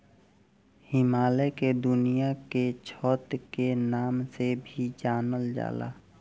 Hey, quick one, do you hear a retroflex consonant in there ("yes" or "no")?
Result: no